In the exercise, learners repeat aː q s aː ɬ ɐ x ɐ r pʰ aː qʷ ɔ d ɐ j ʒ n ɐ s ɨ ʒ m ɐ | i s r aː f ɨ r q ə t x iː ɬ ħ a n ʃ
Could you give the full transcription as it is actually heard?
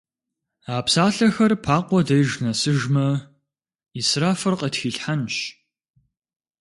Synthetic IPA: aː p s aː ɬ ɐ x ɐ r pʰ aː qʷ ɔ d ɐ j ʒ n ɐ s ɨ ʒ m ɐ | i s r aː f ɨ r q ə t x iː ɬ ħ a n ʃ